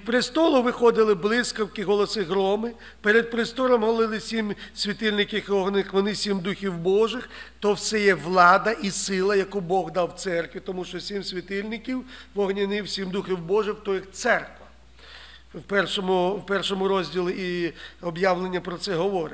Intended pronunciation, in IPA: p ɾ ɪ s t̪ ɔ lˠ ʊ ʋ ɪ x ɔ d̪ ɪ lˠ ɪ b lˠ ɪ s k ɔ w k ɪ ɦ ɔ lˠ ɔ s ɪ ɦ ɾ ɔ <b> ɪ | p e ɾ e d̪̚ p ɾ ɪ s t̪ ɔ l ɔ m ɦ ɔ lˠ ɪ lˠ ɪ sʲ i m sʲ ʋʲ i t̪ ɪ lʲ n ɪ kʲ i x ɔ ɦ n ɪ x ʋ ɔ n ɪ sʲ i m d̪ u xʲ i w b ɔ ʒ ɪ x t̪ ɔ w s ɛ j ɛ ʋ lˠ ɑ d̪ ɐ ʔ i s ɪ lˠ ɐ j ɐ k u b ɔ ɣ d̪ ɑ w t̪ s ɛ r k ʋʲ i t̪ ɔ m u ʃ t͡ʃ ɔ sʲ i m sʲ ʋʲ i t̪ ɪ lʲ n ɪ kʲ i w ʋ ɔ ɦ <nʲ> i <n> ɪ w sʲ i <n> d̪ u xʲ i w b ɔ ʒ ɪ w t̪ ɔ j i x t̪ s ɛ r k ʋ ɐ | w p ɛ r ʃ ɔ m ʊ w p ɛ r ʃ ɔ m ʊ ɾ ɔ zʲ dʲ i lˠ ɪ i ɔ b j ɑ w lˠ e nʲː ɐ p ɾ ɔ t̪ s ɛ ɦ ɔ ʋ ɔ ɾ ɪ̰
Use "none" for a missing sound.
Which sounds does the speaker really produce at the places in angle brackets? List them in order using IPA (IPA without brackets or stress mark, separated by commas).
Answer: m, nʲ, n, m